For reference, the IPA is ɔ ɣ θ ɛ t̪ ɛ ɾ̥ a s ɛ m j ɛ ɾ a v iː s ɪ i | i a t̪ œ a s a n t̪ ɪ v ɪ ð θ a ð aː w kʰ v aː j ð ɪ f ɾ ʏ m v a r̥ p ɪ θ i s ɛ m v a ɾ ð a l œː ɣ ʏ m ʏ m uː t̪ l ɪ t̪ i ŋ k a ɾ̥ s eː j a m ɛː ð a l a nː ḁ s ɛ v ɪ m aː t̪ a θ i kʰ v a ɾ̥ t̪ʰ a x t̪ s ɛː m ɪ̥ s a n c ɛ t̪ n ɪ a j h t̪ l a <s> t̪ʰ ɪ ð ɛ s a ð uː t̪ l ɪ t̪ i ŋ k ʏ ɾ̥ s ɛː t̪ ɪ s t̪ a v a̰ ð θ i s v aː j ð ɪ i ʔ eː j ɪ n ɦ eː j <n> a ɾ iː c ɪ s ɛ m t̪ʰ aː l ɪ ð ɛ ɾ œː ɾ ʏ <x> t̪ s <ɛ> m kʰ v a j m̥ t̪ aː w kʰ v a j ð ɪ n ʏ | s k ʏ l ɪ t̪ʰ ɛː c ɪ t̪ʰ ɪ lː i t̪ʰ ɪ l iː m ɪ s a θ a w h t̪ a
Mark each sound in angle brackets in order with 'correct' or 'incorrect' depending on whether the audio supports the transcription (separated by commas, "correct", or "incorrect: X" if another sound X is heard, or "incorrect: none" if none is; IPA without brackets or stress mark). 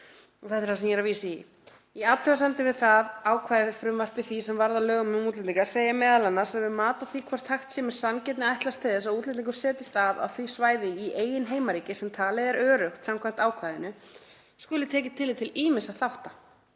correct, incorrect: m, correct, incorrect: a